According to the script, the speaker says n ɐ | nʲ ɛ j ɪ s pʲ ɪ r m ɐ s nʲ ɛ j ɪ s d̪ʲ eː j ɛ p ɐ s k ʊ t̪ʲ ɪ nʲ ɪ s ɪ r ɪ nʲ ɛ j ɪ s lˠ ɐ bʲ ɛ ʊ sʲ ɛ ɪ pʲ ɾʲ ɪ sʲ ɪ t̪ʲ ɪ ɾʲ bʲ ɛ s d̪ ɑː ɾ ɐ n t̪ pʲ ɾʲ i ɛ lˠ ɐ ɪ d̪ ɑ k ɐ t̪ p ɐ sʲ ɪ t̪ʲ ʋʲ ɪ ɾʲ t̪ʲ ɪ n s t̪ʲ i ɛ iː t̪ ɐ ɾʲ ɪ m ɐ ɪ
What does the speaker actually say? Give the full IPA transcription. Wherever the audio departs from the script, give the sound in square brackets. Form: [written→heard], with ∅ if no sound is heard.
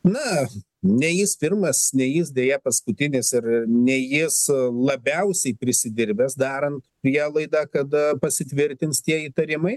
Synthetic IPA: n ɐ | nʲ ɛ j ɪ s pʲ ɪ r m ɐ s nʲ ɛ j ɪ s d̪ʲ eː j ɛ p ɐ s k ʊ t̪ʲ ɪ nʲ ɪ s ɪ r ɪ nʲ ɛ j ɪ s lˠ ɐ bʲ ɛ ʊ sʲ ɛ ɪ pʲ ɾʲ ɪ sʲ ɪ [t̪ʲ→d̪ʲ] ɪ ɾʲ bʲ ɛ s d̪ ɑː ɾ ɐ n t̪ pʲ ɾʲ i ɛ lˠ ɐ ɪ d̪ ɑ k ɐ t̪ p ɐ sʲ ɪ t̪ʲ ʋʲ ɪ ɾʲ t̪ʲ ɪ n s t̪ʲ i ɛ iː t̪ ɐ ɾʲ ɪ m ɐ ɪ